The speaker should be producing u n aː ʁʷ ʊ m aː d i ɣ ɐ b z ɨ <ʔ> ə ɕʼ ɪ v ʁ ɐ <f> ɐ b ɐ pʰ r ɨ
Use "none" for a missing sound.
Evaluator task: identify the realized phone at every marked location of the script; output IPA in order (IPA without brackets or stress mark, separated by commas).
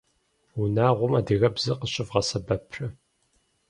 q, s